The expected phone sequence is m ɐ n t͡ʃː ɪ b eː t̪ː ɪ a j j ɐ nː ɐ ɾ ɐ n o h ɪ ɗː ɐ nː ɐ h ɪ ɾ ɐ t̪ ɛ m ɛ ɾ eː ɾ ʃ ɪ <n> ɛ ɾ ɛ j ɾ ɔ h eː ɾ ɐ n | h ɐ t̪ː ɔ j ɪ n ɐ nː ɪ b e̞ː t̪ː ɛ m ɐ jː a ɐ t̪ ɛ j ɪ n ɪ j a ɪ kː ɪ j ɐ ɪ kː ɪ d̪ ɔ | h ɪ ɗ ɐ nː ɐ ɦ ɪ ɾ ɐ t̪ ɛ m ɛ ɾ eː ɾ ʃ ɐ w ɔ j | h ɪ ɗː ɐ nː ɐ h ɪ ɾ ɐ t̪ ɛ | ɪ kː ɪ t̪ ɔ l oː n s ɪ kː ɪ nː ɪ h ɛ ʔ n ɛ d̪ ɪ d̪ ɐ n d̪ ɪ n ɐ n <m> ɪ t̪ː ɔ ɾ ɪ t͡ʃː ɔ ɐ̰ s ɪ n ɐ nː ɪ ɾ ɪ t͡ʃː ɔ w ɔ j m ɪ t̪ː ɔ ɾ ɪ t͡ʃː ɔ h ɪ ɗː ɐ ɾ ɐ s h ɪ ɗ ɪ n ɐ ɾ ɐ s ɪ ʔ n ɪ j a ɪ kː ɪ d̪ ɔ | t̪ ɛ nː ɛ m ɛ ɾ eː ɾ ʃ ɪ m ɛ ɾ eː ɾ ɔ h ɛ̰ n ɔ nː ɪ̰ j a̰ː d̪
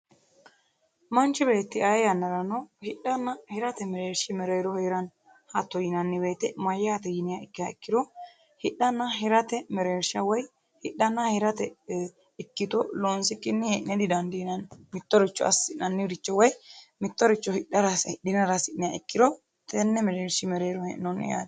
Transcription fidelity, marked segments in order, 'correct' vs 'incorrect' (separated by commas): incorrect, correct